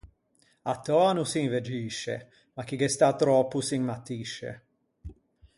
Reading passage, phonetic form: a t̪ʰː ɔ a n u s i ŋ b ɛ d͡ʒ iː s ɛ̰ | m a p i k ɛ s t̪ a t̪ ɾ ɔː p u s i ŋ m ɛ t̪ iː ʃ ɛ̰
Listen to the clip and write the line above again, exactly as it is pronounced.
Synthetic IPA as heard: a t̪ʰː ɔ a n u s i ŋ v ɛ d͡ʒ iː ʃ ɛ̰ | m a k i ɡ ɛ s t̪ a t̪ ɾ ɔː p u s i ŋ m a t̪ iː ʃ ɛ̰